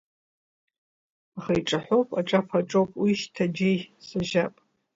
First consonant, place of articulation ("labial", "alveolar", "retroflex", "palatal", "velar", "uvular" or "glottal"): uvular